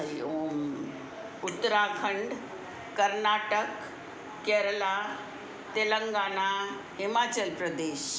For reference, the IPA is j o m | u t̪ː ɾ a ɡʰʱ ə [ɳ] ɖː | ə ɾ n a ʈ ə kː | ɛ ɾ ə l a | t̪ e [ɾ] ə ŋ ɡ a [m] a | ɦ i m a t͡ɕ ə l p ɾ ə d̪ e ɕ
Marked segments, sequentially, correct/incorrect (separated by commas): correct, incorrect, incorrect